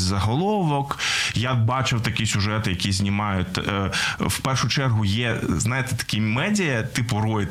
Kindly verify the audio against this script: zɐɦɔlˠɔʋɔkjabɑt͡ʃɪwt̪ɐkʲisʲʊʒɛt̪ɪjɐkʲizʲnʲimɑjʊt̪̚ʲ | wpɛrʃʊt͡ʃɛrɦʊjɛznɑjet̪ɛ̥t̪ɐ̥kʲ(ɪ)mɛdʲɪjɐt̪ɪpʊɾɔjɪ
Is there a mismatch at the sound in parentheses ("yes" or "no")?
yes